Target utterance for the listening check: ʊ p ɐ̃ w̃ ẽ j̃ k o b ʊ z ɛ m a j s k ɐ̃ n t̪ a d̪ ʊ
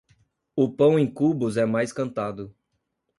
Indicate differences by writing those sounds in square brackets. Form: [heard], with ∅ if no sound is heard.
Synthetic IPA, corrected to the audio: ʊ p ɐ̃ w̃ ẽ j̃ k [u] b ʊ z ɛ m a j s k ɐ̃ n t̪ a d̪ ʊ